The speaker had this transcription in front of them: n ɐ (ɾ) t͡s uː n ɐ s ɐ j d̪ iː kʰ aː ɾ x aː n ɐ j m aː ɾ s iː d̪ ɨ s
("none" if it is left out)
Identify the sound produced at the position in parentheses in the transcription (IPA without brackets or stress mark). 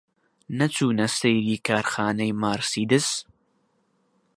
none